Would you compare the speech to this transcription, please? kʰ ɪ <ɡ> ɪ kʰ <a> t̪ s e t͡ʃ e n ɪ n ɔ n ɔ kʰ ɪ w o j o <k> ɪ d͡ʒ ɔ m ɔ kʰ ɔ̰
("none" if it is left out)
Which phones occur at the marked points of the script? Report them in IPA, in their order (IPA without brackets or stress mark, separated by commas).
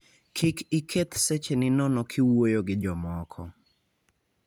k, e, ɡ